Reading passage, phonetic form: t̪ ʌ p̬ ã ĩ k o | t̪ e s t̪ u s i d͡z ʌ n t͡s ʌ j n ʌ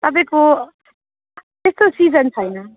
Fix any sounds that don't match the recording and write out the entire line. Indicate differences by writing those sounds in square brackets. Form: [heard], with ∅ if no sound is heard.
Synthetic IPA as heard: t̪ ʌ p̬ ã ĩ k o | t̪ e s t̪ [o] s i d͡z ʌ n [t͡sʰ] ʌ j n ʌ